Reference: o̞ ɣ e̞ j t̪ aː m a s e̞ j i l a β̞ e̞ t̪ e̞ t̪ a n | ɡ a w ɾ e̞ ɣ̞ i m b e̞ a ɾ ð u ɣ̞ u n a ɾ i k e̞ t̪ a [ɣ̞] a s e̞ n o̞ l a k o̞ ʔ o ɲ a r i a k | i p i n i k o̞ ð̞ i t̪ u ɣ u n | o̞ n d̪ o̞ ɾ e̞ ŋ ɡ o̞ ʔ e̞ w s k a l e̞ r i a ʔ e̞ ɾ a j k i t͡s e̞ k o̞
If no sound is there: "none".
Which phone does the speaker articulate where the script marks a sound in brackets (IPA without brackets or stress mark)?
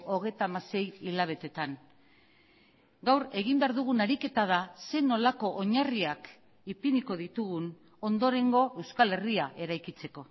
ð̞